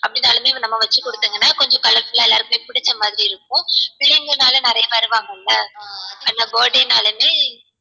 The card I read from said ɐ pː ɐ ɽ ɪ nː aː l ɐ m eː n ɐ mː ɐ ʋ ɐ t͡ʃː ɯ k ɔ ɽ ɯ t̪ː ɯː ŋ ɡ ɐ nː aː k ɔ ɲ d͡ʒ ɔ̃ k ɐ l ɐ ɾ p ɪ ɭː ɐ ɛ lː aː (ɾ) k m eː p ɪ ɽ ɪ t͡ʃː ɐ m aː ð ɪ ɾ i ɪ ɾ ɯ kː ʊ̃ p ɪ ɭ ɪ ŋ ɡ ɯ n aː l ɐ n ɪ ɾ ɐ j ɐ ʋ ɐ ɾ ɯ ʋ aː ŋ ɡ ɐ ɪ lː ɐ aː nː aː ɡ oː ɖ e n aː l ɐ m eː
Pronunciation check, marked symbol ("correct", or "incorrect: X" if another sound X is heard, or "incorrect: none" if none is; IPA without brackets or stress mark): correct